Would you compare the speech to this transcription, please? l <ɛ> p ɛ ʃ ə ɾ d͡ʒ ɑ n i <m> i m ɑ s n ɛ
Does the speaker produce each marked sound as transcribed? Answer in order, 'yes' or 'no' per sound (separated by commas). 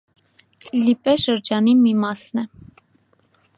no, yes